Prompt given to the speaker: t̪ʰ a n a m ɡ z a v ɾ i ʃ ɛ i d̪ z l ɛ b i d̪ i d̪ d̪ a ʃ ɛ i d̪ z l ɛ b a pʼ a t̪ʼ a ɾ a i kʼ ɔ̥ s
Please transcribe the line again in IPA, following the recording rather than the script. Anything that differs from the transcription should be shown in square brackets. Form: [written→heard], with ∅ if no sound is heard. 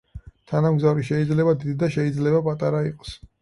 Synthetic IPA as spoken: t̪ʰ a n a m ɡ z a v ɾ i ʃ ɛ i d̪ z l ɛ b [i→a] d̪ i d̪ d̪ a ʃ ɛ i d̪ z l ɛ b a pʼ a t̪ʼ a ɾ a i [kʼ→qʼ] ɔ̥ s